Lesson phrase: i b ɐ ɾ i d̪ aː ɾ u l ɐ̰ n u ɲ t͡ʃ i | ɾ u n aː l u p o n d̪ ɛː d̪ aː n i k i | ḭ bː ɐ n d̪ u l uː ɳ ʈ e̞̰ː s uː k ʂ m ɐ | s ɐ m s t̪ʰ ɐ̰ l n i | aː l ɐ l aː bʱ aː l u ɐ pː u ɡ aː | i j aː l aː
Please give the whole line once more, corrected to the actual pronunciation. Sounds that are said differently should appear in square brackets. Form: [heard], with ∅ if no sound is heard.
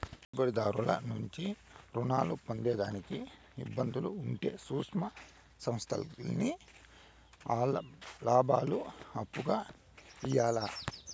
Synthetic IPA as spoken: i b ɐ ɾ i d̪ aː ɾ u l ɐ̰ n u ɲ t͡ʃ i | ɾ u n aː l u p o n d̪ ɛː d̪ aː n i k i | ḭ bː ɐ n d̪ u l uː ɳ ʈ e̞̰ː s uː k ʂ m ɐ | s ɐ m s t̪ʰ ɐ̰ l n i | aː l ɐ l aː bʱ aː l u ɐ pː u ɡ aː | i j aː l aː

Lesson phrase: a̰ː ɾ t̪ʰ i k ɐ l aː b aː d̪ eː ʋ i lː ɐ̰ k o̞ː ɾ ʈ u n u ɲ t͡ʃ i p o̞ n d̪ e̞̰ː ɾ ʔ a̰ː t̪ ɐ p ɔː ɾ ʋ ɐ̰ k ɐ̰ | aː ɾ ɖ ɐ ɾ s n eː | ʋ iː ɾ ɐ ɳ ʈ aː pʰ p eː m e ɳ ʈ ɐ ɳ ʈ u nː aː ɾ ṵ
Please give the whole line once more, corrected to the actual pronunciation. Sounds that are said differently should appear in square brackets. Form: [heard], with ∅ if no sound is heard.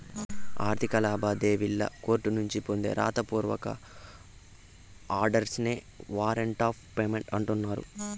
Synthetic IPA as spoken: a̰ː ɾ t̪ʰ i k ɐ l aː b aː d̪ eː ʋ i lː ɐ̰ k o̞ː ɾ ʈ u n u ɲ t͡ʃ i p o̞ n d̪ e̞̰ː ɾ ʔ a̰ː t̪ ɐ p [uː] ɾ ʋ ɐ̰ k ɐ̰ | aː ɾ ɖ ɐ ɾ s n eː | ʋ [aː] ɾ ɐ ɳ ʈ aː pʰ p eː m e ɳ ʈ ɐ ɳ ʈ u nː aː ɾ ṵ

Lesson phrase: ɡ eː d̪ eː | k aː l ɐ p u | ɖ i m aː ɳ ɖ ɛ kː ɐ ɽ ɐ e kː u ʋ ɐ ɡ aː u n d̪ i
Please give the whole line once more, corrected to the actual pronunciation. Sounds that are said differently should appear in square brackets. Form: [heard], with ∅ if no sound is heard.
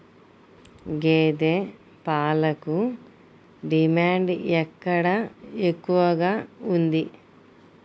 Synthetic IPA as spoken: ɡ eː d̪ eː | [p] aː l ɐ [k] u | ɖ i m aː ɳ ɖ ɛ kː ɐ ɽ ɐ e kː u ʋ ɐ ɡ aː u n d̪ i

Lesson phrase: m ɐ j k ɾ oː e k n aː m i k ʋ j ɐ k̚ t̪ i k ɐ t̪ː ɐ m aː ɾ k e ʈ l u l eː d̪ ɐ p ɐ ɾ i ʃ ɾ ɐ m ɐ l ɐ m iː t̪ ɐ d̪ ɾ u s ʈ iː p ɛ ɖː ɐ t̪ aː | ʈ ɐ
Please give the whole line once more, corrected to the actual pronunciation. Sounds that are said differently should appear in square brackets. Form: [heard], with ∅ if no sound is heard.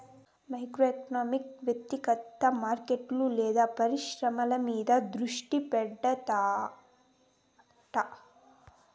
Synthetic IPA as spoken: m ɐ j k ɾ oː e k n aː m i k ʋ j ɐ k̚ t̪ i k ɐ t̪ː ɐ m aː ɾ k e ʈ l u l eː d̪ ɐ p ɐ ɾ i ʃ ɾ ɐ m ɐ l ɐ m iː [d̪] ɐ d̪ ɾ u [ʂ] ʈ [i] p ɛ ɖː ɐ t̪ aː | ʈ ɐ

